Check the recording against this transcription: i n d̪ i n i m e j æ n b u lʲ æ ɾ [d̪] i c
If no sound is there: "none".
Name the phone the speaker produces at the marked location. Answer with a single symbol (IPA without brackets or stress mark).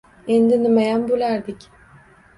d̪